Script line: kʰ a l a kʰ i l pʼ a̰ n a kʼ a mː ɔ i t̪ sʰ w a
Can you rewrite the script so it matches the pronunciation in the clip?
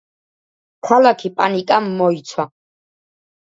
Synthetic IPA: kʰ a l a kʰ i pʼ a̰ n i kʼ a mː ɔ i t̪ sʰ w a

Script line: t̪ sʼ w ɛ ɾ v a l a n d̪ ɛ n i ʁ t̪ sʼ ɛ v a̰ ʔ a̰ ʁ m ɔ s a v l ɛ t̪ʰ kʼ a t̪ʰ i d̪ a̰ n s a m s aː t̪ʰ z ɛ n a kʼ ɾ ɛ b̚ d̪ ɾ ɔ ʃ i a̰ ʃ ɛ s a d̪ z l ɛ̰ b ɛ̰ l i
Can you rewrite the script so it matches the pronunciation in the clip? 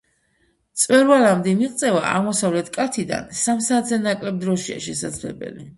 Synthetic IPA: t̪ sʼ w ɛ ɾ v a l a m d̪ ɛ m i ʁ t̪ sʼ ɛ v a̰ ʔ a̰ ʁ m ɔ s a v l ɛ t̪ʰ kʼ a t̪ʰ i d̪ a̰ n s a m s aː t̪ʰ z ɛ n a kʼ l ɛ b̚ d̪ ɾ ɔ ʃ i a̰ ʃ ɛ s a d̪ z l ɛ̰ b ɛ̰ l i

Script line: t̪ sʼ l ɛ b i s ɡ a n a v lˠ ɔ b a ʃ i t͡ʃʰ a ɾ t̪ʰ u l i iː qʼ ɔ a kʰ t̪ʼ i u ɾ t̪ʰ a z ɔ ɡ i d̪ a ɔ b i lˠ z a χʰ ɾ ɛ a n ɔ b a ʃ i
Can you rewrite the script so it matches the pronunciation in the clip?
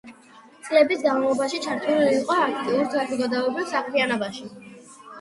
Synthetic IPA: t̪ sʼ l ɛ b i s ɡ a n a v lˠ ɔ b a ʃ i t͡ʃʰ a ɾ t̪ʰ u l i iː qʼ ɔ a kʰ t̪ʼ i u ɾ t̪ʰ a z ɔ ɡ a d̪ a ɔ b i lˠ s a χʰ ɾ i a n ɔ b a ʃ i

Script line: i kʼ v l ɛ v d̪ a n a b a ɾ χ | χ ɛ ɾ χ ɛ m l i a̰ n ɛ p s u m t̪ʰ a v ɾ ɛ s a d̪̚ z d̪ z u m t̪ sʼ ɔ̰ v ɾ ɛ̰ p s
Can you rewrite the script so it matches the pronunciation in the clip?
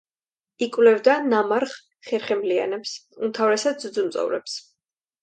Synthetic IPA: i kʼ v l ɛ v d̪ a n a m a ɾ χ | χ ɛ ɾ χ ɛ m l i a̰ n ɛ p s u m t̪ʰ a v ɾ ɛ s a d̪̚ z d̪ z u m t̪ sʼ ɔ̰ v ɾ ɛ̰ p s

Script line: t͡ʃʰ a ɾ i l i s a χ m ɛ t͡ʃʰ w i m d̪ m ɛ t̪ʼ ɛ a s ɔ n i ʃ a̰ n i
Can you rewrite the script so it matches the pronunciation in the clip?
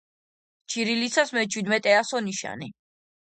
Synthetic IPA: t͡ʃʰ i ɾ i l i s a s m ɛ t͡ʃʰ w i d̪ m ɛ t̪ʼ ɛ a s ɔ n i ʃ a̰ n i

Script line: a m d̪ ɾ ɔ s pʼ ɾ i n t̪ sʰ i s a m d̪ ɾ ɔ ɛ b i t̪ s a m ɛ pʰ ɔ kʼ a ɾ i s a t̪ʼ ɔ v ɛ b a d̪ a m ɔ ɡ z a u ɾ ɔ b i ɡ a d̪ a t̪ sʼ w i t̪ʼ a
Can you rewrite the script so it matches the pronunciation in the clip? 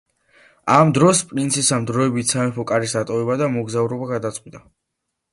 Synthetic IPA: a m d̪ ɾ ɔ s pʼ ɾ i n t̪ sʰ i s a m d̪ ɾ ɔ ɛ b i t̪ s a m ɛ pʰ ɔ kʼ a ɾ i s a t̪ʼ ɔ v ɛ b a d̪ a m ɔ ɡ z a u ɾ ɔ b a ɡ a d̪ a t̪ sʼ w i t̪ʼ a

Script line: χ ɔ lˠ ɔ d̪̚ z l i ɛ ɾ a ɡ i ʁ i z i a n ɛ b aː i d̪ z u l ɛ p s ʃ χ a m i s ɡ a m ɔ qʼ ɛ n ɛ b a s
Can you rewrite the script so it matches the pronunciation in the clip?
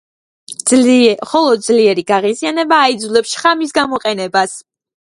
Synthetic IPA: χ ɔ lˠ ɔ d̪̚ z l i ɛ ɾ i ɡ a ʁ i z i a n ɛ b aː i d̪ z u l ɛ p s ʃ χ a m i s ɡ a m ɔ qʼ ɛ n ɛ b a s

